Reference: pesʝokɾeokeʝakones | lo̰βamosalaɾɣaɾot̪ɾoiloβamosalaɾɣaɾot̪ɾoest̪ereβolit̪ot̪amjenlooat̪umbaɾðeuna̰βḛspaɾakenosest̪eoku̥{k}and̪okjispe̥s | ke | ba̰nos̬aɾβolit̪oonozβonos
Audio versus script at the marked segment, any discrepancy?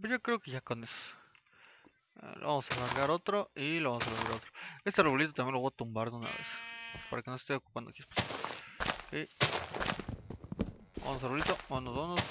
yes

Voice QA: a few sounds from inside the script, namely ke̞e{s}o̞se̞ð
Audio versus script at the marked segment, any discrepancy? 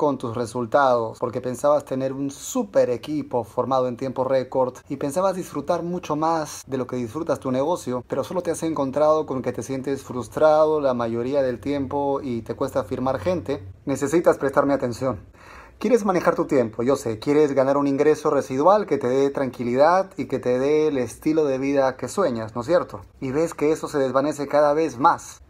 no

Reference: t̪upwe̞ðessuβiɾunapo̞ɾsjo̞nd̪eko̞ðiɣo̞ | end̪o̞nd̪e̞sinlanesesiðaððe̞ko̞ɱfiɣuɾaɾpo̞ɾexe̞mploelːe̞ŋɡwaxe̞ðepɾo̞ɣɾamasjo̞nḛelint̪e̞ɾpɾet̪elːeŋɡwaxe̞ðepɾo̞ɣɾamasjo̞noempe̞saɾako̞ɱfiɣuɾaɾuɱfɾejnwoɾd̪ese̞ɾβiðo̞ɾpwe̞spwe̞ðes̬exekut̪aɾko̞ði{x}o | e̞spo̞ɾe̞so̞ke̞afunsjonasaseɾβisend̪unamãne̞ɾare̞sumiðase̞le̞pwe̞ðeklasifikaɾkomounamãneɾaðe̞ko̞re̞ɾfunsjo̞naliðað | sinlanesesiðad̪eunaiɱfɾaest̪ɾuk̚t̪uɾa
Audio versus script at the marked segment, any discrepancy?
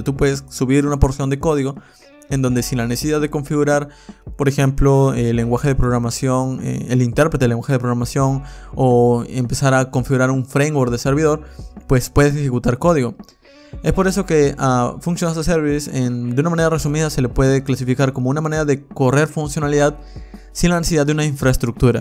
yes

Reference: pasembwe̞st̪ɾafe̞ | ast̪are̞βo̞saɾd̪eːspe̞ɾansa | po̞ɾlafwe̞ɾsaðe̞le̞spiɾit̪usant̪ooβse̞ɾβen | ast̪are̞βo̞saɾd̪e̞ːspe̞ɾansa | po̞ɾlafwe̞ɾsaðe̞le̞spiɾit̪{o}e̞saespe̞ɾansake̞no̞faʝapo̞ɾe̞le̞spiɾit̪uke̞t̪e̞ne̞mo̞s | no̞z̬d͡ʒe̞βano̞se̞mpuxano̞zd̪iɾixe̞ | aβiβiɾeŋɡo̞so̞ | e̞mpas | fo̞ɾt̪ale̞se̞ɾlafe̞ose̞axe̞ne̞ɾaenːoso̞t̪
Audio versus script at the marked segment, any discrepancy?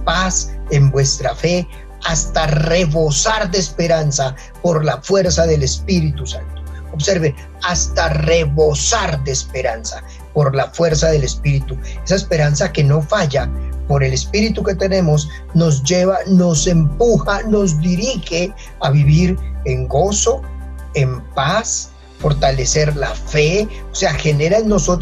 yes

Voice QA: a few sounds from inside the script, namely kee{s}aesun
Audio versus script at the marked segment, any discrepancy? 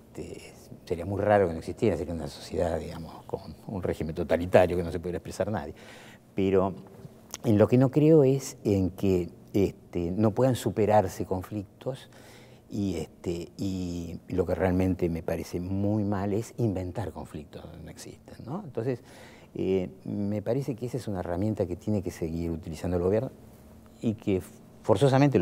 no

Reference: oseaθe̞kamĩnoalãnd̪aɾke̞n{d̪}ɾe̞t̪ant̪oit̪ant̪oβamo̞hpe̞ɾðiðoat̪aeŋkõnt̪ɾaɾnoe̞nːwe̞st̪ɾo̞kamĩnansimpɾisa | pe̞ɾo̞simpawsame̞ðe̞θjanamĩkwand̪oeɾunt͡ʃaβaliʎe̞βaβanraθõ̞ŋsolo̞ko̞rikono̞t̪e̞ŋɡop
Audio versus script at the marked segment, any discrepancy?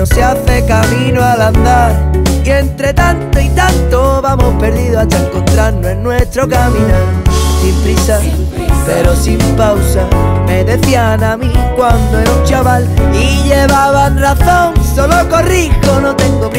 yes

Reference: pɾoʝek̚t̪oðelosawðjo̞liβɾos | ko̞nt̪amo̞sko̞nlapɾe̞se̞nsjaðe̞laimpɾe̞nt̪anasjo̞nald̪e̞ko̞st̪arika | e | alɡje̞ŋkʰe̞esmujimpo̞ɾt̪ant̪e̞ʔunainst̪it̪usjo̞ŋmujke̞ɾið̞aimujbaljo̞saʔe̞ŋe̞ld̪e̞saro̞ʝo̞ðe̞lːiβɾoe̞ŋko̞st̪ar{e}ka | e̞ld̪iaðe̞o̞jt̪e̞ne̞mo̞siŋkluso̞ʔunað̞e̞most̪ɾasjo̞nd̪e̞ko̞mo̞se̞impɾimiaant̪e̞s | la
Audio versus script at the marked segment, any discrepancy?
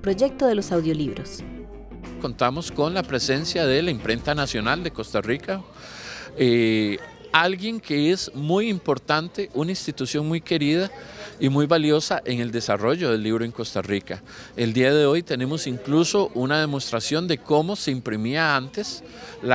yes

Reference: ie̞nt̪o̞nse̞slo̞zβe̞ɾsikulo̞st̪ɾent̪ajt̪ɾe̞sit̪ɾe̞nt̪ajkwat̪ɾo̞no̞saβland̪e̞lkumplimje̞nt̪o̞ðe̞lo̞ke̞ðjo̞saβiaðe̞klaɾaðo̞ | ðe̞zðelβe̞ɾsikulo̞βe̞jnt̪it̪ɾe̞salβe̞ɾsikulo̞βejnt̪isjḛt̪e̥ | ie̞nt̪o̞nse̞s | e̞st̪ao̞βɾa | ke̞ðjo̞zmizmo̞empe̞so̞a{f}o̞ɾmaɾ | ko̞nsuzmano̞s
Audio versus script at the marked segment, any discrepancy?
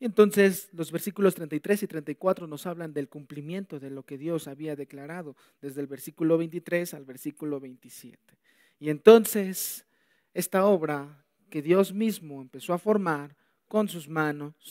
no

